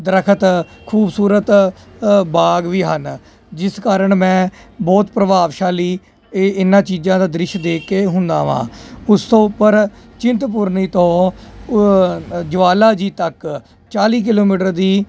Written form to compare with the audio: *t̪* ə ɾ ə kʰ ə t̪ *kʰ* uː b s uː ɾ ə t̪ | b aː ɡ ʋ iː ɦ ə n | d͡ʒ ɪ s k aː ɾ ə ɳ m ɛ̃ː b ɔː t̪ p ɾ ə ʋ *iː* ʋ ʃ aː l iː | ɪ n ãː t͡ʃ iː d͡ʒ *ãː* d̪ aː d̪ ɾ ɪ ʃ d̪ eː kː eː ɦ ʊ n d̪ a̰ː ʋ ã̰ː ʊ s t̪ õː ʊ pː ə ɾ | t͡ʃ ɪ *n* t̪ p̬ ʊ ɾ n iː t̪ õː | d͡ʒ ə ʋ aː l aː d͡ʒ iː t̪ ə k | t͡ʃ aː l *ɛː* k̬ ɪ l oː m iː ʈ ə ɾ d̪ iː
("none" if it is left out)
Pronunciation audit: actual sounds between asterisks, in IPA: d̪, kʰ, aː, ãː, n, iː

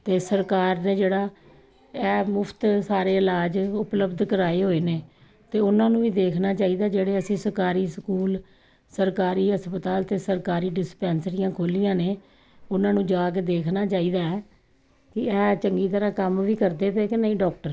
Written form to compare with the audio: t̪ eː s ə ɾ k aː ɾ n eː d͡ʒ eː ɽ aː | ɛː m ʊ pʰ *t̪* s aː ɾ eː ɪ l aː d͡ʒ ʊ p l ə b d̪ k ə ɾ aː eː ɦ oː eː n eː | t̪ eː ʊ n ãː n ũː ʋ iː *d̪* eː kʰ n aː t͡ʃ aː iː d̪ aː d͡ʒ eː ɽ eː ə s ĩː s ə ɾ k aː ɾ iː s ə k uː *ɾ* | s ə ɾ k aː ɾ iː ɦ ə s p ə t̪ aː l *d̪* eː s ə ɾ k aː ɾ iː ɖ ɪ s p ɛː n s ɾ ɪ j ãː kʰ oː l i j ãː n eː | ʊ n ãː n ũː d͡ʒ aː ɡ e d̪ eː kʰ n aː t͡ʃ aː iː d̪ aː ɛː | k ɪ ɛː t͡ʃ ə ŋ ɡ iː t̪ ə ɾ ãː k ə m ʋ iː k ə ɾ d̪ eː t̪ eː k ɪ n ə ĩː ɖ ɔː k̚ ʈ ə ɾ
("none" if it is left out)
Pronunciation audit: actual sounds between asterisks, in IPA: t̪, d̪, l, t̪

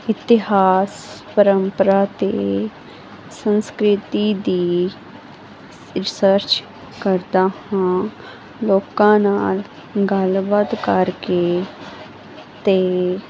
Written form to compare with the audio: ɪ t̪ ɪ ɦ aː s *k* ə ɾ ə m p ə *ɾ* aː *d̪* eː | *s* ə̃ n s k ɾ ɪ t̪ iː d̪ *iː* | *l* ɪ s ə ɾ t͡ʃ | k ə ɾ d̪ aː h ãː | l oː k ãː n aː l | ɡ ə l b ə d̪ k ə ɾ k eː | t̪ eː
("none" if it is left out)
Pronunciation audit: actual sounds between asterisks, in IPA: p, ɾ, t̪, s, iː, ɾ

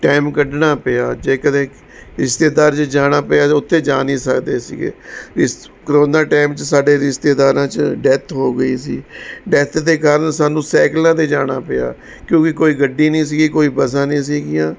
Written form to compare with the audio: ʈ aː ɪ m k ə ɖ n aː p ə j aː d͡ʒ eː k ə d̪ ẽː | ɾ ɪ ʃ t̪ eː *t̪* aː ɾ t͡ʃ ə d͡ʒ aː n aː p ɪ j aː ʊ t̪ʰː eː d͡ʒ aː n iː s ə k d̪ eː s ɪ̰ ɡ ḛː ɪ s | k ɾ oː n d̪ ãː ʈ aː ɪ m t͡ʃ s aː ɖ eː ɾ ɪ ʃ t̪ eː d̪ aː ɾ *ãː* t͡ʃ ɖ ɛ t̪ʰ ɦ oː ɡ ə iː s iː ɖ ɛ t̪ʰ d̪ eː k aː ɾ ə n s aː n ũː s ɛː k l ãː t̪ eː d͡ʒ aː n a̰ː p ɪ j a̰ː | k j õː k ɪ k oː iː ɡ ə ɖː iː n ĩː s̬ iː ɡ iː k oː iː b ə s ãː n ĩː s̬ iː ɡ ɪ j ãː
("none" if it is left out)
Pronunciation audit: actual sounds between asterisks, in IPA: d̪, ãː

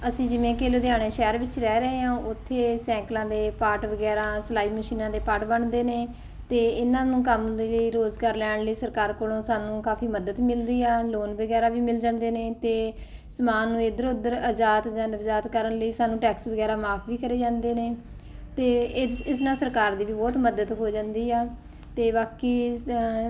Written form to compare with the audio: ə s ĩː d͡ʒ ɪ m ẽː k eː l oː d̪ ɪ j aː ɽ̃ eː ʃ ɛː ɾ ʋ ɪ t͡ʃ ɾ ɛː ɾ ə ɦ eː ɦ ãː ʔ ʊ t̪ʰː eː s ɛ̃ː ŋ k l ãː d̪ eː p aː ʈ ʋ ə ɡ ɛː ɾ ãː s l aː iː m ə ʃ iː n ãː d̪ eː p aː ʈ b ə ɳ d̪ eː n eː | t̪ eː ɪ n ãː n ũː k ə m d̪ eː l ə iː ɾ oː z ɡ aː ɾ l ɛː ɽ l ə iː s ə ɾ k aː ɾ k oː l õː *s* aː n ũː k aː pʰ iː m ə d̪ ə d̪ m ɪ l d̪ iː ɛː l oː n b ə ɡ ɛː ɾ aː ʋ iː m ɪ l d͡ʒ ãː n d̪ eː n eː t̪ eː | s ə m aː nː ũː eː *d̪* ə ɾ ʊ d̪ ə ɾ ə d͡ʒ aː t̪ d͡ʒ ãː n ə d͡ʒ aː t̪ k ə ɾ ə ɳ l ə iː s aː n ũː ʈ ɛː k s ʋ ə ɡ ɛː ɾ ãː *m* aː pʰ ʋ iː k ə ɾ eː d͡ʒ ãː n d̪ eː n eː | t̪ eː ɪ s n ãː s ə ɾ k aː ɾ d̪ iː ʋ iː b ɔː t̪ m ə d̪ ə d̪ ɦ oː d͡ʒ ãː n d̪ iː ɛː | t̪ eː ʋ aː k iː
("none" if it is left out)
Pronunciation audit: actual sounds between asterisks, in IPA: s, d̪, m

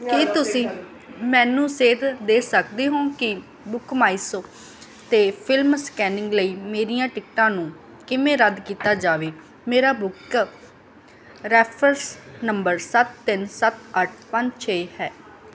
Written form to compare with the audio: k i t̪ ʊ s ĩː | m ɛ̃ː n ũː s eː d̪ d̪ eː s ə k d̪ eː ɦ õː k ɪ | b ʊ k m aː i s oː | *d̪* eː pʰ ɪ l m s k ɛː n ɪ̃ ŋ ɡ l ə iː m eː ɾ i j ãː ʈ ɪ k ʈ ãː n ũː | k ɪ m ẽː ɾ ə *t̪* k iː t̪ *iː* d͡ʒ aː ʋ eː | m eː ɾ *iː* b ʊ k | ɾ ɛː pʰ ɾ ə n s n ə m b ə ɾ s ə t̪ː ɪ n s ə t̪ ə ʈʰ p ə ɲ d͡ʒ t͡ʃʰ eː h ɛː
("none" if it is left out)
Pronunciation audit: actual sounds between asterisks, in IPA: t̪, d̪, aː, aː

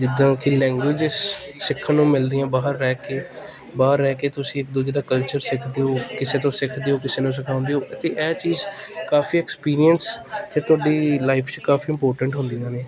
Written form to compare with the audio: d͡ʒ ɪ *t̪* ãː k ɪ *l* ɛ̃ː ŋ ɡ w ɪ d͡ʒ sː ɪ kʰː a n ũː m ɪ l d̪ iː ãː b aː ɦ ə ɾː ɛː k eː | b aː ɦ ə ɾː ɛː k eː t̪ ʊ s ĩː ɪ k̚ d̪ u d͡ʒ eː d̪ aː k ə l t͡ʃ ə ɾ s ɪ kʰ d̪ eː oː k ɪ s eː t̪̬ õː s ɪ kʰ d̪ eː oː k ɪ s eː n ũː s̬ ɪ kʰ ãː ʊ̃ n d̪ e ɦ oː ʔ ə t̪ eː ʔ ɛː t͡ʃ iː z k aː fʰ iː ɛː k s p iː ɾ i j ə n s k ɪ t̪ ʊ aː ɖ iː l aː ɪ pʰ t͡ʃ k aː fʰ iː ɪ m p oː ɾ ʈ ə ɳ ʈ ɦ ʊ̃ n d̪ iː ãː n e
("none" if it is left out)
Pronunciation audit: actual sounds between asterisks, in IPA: d̪, l

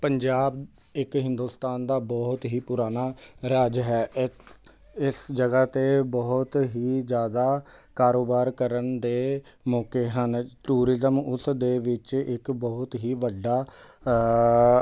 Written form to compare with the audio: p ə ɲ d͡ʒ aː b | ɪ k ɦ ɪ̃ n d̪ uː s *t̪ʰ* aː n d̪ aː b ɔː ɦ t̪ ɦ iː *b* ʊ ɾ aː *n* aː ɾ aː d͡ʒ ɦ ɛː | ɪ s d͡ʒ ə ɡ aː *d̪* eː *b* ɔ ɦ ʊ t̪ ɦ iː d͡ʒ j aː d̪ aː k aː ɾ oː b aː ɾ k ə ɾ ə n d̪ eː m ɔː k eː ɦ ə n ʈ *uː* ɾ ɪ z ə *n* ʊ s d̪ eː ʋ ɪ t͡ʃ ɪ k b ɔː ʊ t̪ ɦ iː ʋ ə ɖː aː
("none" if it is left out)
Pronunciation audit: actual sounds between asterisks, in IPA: t̪, p, n, t̪, b, uː, m

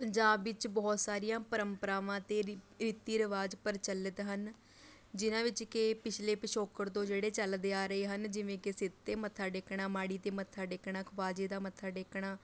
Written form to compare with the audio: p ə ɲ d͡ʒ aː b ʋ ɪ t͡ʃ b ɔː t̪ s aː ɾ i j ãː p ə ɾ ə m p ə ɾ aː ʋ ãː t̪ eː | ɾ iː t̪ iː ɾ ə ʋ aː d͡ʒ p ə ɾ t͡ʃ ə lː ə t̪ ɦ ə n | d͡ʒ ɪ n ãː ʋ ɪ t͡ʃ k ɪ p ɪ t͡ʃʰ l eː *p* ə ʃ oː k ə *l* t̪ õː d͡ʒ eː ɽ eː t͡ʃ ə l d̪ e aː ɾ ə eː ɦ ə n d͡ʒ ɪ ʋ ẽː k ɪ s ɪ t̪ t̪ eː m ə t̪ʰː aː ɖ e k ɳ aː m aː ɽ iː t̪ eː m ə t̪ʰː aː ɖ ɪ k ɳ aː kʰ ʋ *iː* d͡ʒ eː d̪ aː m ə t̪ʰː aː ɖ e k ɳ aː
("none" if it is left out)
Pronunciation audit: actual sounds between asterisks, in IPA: p, ɾ, aː

